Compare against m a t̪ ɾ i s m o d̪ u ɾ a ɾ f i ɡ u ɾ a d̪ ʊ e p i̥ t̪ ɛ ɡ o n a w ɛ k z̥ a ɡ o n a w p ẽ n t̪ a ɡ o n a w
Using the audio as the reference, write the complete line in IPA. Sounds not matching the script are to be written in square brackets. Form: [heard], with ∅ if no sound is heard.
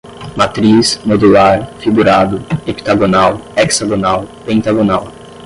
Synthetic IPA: m a t̪ ɾ i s m o d̪ u [l] a ɾ f i ɡ u ɾ a d̪ ʊ e p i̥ t̪ [a] ɡ o n a w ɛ k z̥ a ɡ o n a w p ẽ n t̪ a ɡ o n a w